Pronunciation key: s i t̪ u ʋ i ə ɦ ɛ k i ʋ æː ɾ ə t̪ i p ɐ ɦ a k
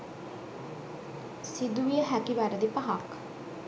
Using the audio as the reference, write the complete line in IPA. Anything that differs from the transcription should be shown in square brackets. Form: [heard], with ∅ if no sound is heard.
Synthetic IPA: s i [d̪] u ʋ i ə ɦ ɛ k i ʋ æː ɾ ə [d̪] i p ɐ ɦ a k